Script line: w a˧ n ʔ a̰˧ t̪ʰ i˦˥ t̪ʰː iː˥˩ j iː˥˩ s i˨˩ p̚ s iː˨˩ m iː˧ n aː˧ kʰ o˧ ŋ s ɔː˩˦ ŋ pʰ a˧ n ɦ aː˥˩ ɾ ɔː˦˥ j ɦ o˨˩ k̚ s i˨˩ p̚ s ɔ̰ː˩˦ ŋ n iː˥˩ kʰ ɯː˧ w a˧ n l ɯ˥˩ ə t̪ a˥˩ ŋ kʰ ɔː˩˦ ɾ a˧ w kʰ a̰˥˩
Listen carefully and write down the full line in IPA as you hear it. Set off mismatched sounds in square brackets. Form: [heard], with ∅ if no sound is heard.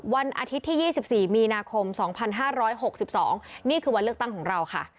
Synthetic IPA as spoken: w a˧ n ʔ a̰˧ t̪ʰ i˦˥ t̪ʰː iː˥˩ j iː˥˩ s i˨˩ p̚ s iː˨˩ m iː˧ n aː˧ kʰ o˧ [m] s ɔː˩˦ ŋ pʰ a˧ n ɦ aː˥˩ ɾ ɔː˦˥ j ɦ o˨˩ k̚ s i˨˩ p̚ s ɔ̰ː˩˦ ŋ n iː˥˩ kʰ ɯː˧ w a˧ n l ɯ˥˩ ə t̪ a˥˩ ŋ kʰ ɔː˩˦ ɾ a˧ w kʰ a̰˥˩